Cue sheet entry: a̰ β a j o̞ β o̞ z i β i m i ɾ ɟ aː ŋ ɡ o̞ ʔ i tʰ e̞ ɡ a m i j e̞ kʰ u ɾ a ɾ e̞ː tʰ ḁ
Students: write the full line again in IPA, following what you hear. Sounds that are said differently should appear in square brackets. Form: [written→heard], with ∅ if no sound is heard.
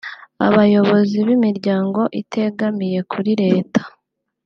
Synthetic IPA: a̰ β a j o̞ β o̞ z i β i m i ɾ ɟ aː ŋ ɡ o̞ ʔ i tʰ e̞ ɡ a m i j e̞ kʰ u ɾ [a→i] ɾ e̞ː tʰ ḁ